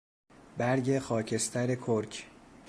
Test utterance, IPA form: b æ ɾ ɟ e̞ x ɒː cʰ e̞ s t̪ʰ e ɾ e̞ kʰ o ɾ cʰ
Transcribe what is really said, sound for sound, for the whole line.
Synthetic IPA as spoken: b æ ɾ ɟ e̞ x ɒː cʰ e̞ s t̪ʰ æ ɾ e̞ kʰ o ɾ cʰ